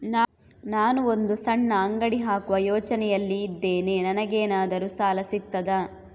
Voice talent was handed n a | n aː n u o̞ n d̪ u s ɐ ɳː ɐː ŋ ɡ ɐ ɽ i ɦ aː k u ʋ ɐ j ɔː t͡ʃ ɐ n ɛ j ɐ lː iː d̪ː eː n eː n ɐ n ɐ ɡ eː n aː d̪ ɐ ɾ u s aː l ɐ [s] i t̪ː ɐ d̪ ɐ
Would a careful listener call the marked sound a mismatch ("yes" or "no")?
no